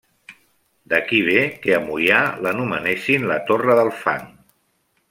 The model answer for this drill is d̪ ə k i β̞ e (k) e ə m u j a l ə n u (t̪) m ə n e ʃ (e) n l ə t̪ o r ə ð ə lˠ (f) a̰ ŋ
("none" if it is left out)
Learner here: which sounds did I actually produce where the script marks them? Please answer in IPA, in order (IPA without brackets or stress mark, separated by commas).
k, none, i, f